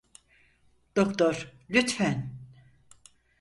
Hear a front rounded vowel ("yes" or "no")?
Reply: yes